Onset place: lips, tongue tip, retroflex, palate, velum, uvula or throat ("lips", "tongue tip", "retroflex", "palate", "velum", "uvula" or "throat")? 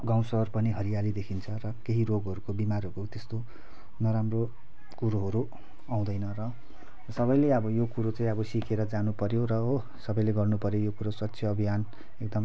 velum